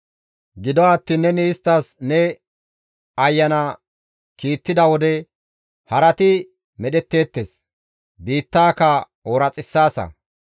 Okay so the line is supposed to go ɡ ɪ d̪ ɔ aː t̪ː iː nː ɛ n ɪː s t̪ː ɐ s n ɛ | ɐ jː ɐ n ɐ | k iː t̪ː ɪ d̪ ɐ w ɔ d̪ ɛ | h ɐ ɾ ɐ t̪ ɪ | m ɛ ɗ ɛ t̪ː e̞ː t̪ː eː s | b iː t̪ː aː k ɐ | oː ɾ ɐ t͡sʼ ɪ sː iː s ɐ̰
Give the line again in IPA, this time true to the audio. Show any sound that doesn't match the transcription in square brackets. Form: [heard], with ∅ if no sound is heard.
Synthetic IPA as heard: ɡ ɪ d̪ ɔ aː t̪ː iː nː ɛ n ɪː s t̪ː ɐ s n ɛ | ɐ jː ɐ n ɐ | k iː t̪ː ɪ d̪ ɐ w ɔ d̪ ɛ | h ɐ ɾ ɐ t̪ ɪ | m ɛ ɗ ɛ t̪ː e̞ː t̪ː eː s | b iː t̪ː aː k ɐ | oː ɾ ɐ t͡sʼ ɪ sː [aː] s ɐ̰